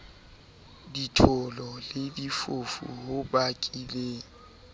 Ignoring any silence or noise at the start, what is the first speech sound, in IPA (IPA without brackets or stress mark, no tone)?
d